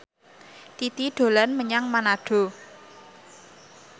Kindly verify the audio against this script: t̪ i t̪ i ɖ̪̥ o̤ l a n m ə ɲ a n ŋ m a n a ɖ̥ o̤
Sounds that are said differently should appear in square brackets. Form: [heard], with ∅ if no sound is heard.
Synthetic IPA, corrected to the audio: t̪ i t̪ i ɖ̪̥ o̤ l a n m ə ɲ a [∅] ŋ m a n a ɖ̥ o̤